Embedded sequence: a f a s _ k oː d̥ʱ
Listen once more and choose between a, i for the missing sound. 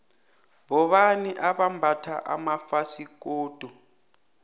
i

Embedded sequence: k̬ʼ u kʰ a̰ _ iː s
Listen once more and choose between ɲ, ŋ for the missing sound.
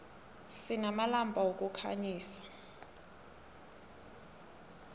ɲ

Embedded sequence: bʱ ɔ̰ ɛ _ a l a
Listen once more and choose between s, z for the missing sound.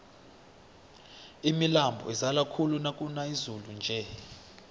z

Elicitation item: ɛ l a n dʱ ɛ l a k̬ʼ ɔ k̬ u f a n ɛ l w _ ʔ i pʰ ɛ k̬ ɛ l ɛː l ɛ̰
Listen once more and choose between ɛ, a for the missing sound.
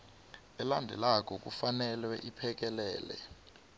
ɛ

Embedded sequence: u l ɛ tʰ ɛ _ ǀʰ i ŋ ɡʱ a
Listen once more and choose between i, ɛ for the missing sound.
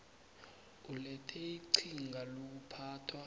i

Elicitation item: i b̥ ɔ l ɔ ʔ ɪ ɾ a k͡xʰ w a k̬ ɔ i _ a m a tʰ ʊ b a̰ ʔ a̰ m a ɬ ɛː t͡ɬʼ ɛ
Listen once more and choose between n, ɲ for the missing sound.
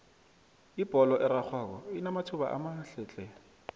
n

